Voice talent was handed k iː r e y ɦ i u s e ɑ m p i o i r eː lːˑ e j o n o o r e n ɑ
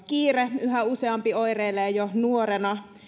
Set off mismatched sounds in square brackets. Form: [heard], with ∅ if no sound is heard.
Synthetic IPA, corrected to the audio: k iː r e y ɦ [æ] u s e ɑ m p i o i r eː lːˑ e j o n [u] o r e n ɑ

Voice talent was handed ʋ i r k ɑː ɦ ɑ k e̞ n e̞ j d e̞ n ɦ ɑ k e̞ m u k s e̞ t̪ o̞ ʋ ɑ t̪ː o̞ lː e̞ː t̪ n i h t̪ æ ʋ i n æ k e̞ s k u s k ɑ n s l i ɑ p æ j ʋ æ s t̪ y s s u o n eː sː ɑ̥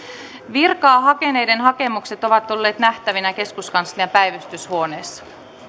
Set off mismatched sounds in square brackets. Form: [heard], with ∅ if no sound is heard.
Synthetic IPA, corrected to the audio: ʋ i r k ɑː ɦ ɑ k e̞ n e̞ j d e̞ n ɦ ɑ k e̞ m u k s e̞ t̪ o̞ ʋ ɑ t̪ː o̞ lː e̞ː t̪ n [æ] h t̪ æ ʋ i n æ k e̞ s k u s k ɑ n s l i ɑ p æ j ʋ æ s t̪ y s [h] u o n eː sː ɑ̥

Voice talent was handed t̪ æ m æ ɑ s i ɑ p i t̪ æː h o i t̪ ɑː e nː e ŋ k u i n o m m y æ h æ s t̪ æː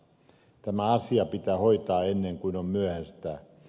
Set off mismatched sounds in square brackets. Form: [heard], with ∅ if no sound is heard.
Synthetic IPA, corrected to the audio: t̪ æ m æ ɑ s i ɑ p i t̪ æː h o i t̪ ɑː e nː e ŋ k u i n o m m y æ h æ s t̪ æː

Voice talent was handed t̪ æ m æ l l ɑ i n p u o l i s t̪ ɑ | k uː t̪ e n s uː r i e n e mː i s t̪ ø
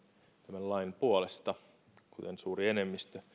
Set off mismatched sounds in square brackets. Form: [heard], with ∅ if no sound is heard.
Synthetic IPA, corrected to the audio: t̪ æ m æ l l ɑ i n p u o l [e] s t̪ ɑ | k [u] t̪ e n s uː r i e n e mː i s t̪ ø

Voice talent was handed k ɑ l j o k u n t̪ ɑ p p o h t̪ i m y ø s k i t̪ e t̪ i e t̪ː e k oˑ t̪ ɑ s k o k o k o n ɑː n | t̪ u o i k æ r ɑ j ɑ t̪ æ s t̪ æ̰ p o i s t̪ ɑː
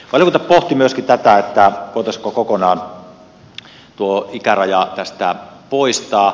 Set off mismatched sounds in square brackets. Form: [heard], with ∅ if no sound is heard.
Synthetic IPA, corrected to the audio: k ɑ l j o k u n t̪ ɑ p p o h t̪ i m y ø s k i t̪ [æ] t̪ [æ] e t̪ː [æ] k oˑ t̪ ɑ s k o k o k o n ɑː n | t̪ u o i k æ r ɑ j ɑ t̪ æ s t̪ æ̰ p o i s t̪ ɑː

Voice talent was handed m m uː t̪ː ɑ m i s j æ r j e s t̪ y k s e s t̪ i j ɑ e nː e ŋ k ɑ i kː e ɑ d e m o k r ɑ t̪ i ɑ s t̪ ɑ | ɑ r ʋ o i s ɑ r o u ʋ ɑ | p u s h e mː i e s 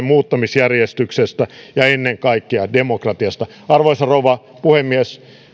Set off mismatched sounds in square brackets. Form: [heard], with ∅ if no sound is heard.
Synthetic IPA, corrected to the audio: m m uː t̪ː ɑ m i s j æ r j e s t̪ y k s e s t̪ [æ] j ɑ e nː e ŋ k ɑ i kː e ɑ d e m o k r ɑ t̪ i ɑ s t̪ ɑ | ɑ r ʋ o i s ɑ r o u ʋ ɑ | p u [∅] h e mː i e s

